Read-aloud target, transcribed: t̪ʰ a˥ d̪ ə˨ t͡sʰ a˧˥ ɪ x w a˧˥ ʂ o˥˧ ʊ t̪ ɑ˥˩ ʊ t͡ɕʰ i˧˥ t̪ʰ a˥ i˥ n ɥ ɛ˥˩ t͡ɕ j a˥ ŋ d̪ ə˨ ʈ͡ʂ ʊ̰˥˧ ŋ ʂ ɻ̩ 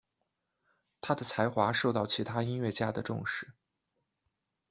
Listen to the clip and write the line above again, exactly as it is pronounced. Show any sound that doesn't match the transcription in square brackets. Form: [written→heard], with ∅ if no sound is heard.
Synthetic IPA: t̪ʰ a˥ d̪ ə˨ t͡sʰ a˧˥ ɪ x w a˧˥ ʂ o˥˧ ʊ t̪ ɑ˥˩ ʊ t͡ɕʰ i˧˥ t̪ʰ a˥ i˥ n ɥ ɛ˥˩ t͡ɕ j a˥ [ŋ→∅] d̪ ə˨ ʈ͡ʂ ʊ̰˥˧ ŋ ʂ ɻ̩